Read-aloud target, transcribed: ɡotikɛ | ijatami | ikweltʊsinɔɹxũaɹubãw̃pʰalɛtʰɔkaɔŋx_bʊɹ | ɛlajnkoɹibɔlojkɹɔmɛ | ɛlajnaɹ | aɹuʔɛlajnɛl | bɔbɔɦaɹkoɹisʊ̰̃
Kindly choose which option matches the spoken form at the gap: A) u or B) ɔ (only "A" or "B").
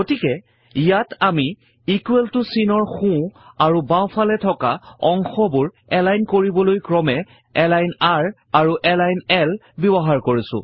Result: B